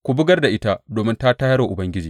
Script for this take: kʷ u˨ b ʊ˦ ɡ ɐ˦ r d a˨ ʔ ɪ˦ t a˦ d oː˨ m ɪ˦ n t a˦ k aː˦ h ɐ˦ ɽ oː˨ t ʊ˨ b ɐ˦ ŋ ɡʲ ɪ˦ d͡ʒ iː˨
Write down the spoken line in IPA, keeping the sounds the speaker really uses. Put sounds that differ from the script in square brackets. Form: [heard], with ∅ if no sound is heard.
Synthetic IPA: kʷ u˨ b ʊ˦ ɡ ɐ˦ r d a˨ ʔ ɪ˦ t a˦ d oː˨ m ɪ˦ n t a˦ [t] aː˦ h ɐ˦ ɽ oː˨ [ʔ] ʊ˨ b ɐ˦ ŋ ɡʲ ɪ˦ d͡ʒ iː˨